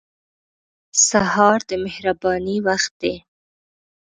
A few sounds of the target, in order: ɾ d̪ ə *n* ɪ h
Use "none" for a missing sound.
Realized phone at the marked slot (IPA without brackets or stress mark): m